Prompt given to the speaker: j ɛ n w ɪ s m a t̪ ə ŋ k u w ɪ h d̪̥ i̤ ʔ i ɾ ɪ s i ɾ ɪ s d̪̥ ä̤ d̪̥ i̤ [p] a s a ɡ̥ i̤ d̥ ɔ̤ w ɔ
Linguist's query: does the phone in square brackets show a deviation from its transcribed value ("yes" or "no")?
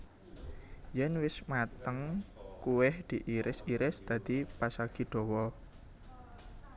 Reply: no